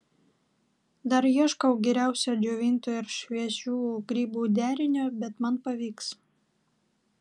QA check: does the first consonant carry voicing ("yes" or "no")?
yes